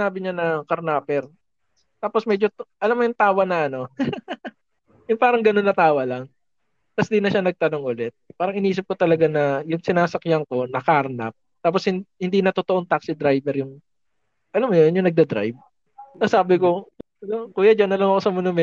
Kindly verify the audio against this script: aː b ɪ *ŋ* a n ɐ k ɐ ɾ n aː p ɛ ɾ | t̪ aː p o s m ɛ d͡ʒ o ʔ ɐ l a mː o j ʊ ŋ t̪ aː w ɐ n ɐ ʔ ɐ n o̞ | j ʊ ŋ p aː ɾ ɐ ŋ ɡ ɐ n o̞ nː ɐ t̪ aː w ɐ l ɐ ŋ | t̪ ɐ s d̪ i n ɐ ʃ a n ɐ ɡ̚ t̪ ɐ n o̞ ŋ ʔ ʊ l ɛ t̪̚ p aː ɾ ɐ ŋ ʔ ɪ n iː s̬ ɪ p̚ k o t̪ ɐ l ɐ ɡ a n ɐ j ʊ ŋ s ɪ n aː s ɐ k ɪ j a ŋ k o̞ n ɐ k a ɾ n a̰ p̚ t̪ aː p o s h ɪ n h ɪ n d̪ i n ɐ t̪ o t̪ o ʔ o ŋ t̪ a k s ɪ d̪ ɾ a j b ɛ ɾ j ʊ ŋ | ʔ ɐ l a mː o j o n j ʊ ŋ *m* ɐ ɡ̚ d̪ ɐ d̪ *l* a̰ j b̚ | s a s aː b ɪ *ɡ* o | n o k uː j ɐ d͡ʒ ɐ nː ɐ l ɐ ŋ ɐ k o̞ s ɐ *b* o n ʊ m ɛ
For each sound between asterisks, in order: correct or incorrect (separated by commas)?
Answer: incorrect, incorrect, incorrect, incorrect, incorrect